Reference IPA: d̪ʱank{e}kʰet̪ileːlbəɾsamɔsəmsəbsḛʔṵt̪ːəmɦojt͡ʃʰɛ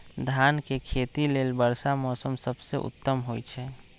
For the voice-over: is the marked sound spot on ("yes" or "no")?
yes